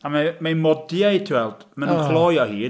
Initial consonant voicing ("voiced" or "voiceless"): voiced